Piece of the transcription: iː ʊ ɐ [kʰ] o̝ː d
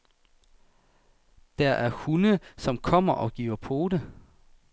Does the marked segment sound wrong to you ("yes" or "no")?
yes